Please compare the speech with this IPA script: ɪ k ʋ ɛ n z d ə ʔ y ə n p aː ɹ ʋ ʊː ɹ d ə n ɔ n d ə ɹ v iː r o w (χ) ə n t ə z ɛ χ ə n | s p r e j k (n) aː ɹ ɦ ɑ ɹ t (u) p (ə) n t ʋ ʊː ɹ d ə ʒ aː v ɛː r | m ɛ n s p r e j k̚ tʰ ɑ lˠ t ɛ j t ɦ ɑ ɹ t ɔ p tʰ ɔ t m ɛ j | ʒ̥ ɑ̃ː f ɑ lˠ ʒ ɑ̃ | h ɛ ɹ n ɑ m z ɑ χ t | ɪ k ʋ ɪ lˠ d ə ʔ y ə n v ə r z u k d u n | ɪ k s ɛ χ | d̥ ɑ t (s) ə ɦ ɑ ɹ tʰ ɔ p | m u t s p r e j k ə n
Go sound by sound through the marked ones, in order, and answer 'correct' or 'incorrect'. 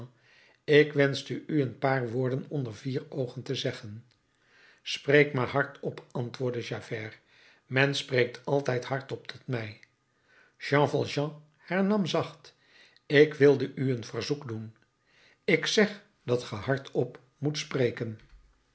correct, incorrect, incorrect, incorrect, incorrect

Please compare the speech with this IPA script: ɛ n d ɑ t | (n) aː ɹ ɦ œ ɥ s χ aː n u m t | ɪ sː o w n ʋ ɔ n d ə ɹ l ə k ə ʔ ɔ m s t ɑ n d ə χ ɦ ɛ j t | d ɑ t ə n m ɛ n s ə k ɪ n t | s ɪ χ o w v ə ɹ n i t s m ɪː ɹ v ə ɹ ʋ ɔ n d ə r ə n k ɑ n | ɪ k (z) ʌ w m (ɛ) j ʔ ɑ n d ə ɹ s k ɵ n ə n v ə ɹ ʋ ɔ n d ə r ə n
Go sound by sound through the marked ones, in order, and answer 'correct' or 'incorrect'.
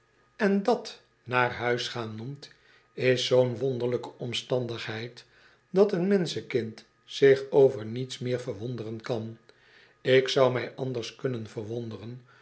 correct, incorrect, correct

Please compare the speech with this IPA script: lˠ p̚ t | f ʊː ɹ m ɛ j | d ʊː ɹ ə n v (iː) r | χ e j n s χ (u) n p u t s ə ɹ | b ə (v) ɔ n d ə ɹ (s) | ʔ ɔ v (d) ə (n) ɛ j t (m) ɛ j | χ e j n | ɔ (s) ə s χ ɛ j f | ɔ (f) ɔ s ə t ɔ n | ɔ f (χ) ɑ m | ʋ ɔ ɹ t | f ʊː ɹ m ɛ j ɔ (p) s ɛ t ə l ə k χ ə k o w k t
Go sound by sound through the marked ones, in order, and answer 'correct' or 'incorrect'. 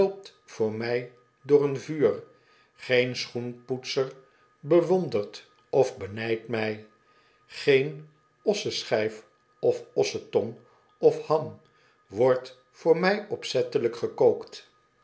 incorrect, correct, incorrect, incorrect, incorrect, correct, correct, correct, correct, incorrect, correct

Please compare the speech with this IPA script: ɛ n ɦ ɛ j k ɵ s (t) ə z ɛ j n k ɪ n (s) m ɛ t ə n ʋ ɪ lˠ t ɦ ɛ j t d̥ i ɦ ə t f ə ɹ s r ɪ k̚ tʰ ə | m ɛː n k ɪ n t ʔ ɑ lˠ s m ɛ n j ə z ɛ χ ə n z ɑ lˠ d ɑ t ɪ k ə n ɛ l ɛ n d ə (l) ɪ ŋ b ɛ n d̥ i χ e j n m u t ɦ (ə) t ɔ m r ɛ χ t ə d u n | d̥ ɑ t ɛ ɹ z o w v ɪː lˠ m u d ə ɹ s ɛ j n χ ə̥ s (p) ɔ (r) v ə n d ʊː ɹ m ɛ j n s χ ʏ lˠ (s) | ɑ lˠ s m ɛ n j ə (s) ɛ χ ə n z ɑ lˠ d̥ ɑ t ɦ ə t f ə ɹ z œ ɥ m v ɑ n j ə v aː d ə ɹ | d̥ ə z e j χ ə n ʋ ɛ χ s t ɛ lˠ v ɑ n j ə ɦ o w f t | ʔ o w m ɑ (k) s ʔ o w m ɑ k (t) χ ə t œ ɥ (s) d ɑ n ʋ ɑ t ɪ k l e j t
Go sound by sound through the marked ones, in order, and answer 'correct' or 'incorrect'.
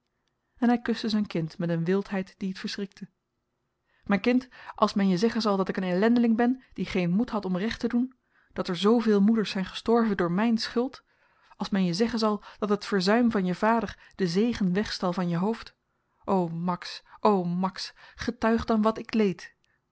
correct, incorrect, correct, incorrect, incorrect, incorrect, incorrect, incorrect, correct, incorrect, incorrect

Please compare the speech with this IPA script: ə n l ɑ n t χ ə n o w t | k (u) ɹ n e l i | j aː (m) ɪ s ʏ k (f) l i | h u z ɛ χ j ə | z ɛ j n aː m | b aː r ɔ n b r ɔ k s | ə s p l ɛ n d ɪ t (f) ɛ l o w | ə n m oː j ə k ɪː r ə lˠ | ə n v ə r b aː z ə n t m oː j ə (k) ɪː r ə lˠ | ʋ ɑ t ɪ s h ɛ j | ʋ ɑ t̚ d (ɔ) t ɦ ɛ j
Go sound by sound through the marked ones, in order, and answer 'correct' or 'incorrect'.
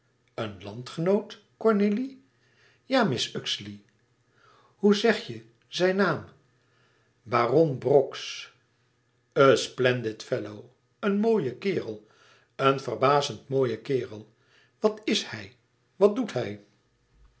incorrect, correct, incorrect, correct, correct, incorrect

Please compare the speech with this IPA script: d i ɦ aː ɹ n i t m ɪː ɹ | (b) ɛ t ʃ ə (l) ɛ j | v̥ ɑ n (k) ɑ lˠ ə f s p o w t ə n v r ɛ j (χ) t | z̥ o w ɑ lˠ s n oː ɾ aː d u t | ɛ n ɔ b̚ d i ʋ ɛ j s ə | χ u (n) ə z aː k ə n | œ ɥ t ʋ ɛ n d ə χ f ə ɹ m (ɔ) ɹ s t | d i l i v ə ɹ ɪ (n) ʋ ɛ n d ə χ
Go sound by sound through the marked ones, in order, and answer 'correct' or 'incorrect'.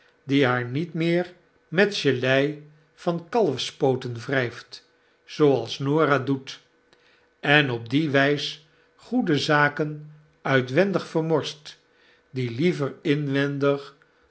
incorrect, correct, correct, incorrect, incorrect, correct, correct

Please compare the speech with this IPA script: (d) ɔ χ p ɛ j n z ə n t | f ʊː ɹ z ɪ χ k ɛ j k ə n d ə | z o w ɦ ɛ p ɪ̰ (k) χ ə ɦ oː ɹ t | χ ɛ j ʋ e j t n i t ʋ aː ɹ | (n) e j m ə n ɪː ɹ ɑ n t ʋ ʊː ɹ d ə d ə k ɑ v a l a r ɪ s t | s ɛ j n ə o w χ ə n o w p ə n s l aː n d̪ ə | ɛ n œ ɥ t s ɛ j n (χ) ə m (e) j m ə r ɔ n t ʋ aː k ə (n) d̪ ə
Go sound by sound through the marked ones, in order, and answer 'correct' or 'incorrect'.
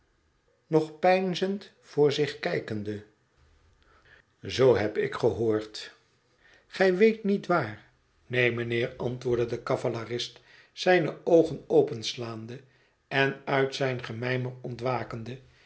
incorrect, correct, correct, correct, incorrect, correct

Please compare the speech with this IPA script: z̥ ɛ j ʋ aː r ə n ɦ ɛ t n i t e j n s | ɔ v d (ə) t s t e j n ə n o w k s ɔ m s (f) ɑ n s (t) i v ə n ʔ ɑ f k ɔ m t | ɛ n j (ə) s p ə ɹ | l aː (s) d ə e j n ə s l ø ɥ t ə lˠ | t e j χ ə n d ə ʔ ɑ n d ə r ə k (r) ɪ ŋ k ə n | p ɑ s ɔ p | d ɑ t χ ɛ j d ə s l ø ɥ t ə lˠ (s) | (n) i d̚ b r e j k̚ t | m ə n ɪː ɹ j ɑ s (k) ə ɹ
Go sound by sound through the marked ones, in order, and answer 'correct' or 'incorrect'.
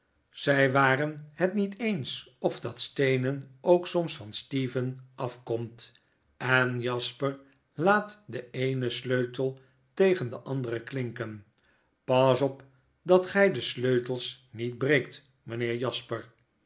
incorrect, correct, correct, incorrect, incorrect, incorrect, correct, correct, incorrect

